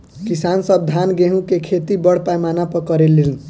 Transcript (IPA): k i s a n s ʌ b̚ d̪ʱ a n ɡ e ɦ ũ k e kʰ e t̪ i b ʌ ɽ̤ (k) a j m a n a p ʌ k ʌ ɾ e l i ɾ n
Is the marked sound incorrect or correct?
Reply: incorrect